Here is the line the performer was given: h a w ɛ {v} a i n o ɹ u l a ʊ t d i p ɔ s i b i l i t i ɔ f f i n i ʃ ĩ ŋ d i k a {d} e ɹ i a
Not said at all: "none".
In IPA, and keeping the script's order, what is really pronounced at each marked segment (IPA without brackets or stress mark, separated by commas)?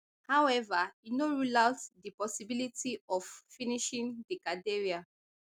v, d